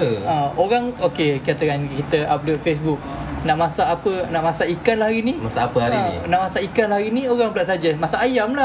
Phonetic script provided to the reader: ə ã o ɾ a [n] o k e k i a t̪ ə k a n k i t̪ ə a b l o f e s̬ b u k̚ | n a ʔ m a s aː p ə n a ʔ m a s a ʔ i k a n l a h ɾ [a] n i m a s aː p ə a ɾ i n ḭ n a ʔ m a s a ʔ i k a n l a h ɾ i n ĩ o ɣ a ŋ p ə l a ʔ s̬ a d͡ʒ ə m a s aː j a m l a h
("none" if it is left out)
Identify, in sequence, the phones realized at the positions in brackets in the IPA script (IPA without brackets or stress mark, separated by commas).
ŋ, i